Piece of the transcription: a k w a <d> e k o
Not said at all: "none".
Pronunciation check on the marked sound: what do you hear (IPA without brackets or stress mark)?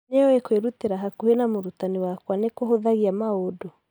n